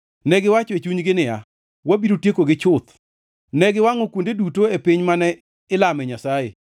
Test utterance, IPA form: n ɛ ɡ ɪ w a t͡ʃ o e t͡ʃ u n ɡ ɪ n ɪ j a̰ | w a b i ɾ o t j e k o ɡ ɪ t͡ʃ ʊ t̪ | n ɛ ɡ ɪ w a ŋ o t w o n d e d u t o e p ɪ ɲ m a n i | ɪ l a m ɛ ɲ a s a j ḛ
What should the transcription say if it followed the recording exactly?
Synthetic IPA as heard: n ɛ ɡ ɪ w a t͡ʃ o e t͡ʃ u ɲ ɡ ɪ n ɪ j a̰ | w a b i ɾ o t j e k o ɡ ɪ t͡ʃ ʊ t̪ | n ɛ ɡ ɪ w a ŋ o k w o n d e d u t o e p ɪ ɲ m a n ɛ | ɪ l a m ɛ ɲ a s a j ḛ